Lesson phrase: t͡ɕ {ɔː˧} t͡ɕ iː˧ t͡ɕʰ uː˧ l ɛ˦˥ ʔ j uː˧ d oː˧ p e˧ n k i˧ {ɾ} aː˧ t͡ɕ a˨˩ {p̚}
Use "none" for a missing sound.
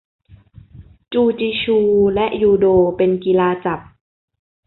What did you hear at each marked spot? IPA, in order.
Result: uː˧, l, p̚

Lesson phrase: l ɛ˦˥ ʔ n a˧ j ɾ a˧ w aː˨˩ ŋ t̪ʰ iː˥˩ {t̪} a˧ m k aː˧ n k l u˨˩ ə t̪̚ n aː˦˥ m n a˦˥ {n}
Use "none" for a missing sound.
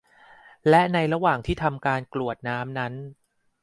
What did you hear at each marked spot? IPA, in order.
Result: t̪ʰ, n

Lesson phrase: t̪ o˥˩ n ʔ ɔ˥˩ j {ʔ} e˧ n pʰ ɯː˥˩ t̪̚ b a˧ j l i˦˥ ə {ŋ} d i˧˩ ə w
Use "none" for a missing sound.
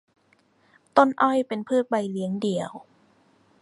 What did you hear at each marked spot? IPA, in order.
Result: p, ŋ

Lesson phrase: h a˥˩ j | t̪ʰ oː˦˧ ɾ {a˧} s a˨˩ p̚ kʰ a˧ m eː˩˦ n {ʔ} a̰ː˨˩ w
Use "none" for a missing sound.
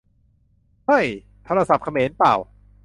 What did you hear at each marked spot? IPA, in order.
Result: a˧, p

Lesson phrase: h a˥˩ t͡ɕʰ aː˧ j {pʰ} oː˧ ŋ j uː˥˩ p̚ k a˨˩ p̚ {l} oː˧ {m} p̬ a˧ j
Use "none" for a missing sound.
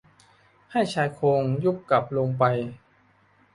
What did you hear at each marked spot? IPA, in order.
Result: kʰ, l, ŋ

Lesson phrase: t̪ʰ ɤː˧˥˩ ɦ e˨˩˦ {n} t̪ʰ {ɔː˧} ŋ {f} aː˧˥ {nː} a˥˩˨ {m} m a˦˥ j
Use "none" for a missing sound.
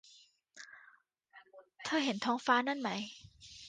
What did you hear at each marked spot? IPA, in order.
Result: n, ɔː˦˥, f, n, n

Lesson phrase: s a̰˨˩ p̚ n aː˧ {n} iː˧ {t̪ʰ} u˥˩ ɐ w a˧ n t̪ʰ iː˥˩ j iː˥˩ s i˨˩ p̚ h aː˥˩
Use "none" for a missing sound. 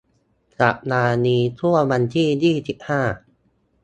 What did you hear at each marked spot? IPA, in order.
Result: n, t̪ʰ

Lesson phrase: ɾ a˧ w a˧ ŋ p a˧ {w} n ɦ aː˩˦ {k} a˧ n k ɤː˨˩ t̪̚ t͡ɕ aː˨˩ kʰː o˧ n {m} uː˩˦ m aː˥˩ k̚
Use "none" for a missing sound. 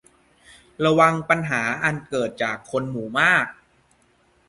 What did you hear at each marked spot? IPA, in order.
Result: none, ʔ, m

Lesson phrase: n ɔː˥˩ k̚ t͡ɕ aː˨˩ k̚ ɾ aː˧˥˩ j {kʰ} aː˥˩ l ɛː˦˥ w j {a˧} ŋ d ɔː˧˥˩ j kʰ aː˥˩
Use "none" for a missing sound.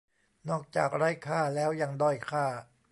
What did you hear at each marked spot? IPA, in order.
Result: kʰ, a˧

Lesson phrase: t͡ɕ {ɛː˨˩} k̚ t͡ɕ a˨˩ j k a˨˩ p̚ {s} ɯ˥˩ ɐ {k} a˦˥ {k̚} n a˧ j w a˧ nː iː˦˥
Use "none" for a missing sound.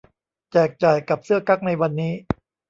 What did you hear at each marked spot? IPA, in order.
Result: ɛː˨˩, s, k, k̚

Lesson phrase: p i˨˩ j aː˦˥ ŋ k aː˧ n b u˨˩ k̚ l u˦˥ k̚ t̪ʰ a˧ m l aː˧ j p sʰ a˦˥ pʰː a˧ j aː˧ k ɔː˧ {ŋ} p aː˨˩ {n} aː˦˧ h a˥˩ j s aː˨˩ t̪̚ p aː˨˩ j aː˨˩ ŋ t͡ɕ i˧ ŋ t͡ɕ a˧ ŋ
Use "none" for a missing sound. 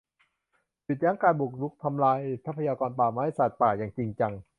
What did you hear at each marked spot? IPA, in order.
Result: n, m

